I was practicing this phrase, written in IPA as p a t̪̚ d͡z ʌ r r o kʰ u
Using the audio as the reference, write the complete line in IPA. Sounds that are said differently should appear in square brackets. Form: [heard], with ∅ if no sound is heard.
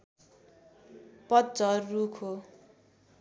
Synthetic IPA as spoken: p [ʌ] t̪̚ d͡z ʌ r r [u] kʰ [o]

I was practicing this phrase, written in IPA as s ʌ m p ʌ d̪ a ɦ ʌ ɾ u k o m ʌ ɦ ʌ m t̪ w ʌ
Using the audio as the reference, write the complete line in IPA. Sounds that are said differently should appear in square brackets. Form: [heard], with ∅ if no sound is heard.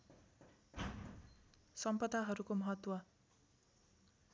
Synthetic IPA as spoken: s ʌ m p ʌ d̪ a ɦ ʌ ɾ u k o m ʌ ɦ ʌ [∅] t̪ w ʌ

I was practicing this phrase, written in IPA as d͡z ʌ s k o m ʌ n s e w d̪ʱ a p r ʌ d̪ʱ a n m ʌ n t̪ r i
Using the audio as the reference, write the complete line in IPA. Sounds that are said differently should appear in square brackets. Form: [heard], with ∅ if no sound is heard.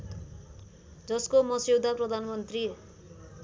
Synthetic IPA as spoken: d͡z ʌ s k o m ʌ [∅] s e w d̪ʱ a p r ʌ d̪ʱ a n m ʌ n t̪ r i

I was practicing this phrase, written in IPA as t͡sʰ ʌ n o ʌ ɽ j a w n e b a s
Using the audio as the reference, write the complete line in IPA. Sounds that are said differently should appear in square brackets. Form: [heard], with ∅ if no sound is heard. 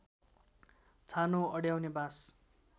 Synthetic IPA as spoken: t͡sʰ [a] n o ʌ ɽ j a w n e b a s

